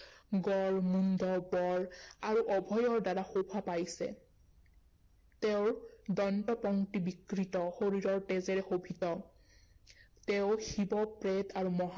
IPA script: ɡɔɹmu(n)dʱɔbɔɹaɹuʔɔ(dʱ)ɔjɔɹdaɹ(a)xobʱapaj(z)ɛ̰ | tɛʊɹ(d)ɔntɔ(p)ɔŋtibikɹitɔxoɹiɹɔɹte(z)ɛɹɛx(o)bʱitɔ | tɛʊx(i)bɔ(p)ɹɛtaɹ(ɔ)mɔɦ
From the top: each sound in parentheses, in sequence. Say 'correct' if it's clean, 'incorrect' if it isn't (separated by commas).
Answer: correct, incorrect, correct, incorrect, correct, correct, correct, correct, correct, correct, incorrect